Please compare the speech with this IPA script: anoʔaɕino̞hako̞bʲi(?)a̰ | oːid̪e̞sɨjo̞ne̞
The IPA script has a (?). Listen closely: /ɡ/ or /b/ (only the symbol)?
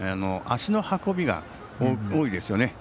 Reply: ɡ